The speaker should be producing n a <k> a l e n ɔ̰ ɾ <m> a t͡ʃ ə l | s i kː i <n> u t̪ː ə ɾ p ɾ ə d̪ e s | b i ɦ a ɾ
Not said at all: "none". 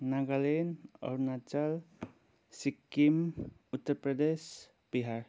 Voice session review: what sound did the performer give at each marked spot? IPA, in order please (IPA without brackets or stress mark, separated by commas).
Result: ɡ, n, m